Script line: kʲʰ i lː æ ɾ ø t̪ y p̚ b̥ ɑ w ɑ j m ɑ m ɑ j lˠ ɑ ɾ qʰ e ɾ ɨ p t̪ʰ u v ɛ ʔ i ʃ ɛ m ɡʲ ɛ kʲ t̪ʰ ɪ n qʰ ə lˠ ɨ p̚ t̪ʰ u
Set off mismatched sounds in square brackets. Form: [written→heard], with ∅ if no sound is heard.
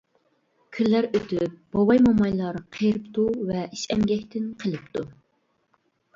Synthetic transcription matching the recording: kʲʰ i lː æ ɾ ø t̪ y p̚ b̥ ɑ w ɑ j m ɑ m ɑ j lˠ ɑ ɾ qʰ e ɾ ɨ p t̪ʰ u v ɛ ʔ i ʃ ɛ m ɡʲ ɛ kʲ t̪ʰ ɪ n qʰ ə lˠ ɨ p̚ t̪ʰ u

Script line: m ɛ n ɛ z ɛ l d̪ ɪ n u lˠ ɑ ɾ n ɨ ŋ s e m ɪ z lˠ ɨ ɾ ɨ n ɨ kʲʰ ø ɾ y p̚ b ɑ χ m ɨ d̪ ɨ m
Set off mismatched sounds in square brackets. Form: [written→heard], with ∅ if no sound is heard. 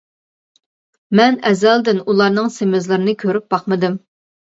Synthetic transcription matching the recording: m ɛ n ɛ z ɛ l d̪ ɪ n u lˠ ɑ ɾ n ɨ ŋ s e m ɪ z lˠ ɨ ɾ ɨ n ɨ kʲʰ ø ɾ y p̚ b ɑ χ m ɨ d̪ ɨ m

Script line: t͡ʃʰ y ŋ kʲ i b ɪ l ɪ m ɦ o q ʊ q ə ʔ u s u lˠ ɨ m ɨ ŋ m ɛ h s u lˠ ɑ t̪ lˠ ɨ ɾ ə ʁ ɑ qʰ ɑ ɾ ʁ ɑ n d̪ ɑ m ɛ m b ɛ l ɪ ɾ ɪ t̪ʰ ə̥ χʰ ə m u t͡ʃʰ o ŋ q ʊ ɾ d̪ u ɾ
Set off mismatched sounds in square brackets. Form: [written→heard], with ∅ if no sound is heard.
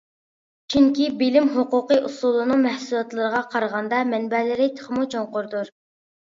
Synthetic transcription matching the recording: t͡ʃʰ y ŋ kʲ i b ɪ l ɪ m ɦ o q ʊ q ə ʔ u s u lˠ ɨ [m→n] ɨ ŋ m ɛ h s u lˠ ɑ t̪ lˠ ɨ ɾ ə ʁ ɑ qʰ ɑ ɾ ʁ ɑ n d̪ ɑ m ɛ [m→n] b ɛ l ɪ ɾ ɪ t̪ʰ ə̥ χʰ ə m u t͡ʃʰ o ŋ q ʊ ɾ d̪ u ɾ

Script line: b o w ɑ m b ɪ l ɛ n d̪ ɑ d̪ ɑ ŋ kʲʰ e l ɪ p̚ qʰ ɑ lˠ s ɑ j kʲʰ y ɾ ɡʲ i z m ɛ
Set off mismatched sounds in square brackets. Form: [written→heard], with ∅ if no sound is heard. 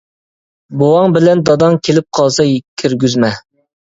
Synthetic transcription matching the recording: b o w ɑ [m→ŋ] b ɪ l ɛ n d̪ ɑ d̪ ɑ ŋ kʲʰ e l ɪ p̚ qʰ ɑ lˠ s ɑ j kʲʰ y ɾ ɡʲ [i→y] z m ɛ

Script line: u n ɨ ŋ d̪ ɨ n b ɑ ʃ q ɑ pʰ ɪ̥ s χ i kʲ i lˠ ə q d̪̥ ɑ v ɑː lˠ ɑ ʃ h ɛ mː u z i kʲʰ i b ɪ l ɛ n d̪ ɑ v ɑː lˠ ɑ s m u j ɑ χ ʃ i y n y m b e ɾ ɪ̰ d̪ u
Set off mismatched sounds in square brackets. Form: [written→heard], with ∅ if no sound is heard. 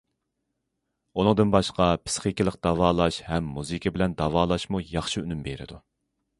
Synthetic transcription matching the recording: u n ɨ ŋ d̪ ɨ n b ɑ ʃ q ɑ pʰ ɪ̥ s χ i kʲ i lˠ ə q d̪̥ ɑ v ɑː lˠ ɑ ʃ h ɛ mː u z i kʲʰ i b ɪ l ɛ n d̪ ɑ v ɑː lˠ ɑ [s→ʃ] m u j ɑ χ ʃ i y n y m b e ɾ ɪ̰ d̪ u

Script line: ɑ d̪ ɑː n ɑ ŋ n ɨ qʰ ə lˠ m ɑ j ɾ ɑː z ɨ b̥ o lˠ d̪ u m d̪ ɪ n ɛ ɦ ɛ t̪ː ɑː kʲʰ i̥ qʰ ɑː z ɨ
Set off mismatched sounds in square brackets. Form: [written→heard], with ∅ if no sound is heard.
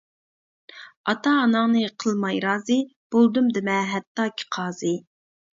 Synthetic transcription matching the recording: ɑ [d̪→t̪] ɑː n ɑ ŋ n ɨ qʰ ə lˠ m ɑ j ɾ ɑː z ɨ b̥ o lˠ d̪ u m d̪ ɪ [n→m] ɛ ɦ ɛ t̪ː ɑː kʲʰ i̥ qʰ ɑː z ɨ

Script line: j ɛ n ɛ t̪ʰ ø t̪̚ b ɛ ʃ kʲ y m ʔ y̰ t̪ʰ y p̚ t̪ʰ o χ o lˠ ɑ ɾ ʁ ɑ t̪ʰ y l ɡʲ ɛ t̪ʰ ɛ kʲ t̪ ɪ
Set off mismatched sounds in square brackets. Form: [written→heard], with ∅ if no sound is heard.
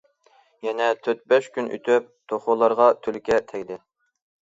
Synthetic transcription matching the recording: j ɛ n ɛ t̪ʰ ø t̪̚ b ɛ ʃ kʲ y [m→n] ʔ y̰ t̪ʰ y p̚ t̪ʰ o χ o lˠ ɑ ɾ ʁ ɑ t̪ʰ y l [ɡʲ→kʲ] ɛ t̪ʰ ɛ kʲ [t̪→d̪] ɪ

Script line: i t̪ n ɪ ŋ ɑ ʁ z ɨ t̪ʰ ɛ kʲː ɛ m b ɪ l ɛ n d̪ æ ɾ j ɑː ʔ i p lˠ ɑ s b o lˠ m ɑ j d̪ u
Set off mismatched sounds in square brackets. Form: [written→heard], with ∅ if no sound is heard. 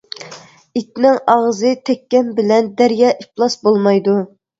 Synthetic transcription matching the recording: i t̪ n ɪ ŋ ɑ ʁ z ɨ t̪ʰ ɛ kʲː ɛ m b ɪ l ɛ n d̪ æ ɾ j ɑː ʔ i p lˠ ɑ s b o lˠ m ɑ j d̪ u

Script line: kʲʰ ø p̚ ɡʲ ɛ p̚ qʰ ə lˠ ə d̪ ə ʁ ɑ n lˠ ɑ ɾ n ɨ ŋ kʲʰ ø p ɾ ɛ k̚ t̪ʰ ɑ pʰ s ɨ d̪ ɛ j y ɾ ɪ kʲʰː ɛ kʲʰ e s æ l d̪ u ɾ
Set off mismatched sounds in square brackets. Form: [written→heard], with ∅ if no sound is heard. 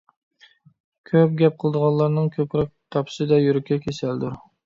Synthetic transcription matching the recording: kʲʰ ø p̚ ɡʲ ɛ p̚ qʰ ə lˠ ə d̪ ə ʁ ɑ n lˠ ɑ ɾ n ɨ ŋ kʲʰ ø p ɾ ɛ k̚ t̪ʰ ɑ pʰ s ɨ d̪ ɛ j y ɾ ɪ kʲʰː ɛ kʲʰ e s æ l d̪ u ɾ

